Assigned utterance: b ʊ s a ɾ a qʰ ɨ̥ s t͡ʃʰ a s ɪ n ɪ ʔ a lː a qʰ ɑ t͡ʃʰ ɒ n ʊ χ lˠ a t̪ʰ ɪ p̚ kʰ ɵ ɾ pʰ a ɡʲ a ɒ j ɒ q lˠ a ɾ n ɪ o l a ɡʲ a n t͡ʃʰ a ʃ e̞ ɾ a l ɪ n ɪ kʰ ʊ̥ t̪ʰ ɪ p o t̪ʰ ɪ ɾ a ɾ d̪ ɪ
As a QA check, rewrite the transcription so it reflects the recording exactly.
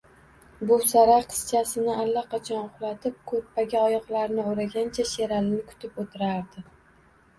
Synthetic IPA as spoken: b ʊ s a ɾ a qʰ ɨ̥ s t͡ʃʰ a s ɪ n ɪ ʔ a lː a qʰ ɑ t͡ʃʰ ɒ n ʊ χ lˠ a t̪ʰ ɪ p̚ kʰ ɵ ɾ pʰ a ɡʲ a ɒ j ɒ q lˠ a ɾ n ɪ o ɾ a ɡʲ a n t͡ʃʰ a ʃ e̞ ɾ a l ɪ n ɪ kʰ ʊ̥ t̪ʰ ɪ p o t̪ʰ ɪ ɾ a ɾ d̪ ɪ